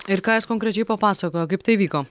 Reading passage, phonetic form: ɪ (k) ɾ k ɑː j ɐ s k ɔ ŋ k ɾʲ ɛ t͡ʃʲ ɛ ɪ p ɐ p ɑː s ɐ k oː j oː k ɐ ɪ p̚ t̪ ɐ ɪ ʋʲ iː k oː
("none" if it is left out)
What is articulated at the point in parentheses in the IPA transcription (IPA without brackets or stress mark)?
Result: none